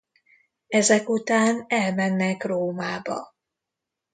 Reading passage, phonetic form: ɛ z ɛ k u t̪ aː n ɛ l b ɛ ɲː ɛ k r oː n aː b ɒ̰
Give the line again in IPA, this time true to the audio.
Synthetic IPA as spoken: ɛ z ɛ k u t̪ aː n ɛ l m ɛ nː ɛ k r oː m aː b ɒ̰